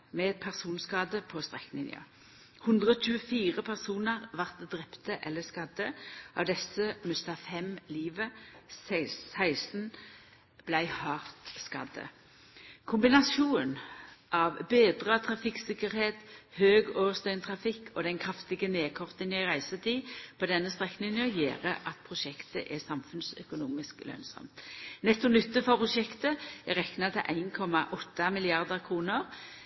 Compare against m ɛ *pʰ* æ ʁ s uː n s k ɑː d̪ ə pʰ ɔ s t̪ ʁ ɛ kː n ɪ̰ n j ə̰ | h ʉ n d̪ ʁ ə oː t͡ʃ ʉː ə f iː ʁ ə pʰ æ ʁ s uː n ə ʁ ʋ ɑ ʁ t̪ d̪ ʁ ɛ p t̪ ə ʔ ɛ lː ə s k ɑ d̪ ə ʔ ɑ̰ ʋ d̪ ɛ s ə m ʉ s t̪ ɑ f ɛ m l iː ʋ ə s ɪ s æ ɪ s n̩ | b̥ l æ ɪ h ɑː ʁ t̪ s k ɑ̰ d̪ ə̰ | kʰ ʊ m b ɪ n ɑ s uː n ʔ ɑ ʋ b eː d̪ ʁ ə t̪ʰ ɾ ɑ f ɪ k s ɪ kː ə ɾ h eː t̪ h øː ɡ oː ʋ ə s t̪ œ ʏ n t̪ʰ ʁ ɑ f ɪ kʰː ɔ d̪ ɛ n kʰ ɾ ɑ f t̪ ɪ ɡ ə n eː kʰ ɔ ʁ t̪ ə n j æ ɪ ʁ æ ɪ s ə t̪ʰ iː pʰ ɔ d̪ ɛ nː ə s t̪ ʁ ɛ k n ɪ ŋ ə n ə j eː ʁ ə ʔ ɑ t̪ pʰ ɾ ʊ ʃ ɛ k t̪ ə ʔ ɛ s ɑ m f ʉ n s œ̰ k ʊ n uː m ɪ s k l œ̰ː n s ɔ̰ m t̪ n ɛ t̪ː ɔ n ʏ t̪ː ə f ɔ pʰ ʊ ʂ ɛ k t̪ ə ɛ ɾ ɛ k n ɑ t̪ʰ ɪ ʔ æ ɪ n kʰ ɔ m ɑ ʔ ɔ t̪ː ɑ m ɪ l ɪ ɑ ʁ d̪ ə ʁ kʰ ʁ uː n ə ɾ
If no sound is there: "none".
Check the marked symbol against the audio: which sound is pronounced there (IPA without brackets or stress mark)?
pʰ